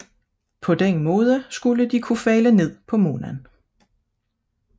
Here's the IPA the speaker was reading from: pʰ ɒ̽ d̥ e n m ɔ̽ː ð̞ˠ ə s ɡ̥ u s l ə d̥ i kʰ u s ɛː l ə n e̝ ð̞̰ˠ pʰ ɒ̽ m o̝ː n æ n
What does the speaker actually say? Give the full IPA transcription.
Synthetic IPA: pʰ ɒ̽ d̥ e n m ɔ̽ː ð̞ˠ ə s ɡ̥ u l ə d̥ i kʰ u f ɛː l ə n e̝ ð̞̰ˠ pʰ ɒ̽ m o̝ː n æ n

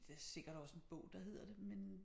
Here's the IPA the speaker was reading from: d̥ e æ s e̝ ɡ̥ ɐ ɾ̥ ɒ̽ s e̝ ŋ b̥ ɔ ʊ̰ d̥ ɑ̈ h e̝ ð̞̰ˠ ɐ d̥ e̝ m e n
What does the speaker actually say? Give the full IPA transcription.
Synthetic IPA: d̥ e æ s e̝ ɡ̥ ɐ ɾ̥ ɒ̽ s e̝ n b̥ ɔ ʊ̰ d̥ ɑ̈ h e̝ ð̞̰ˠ ɐ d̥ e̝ m e n

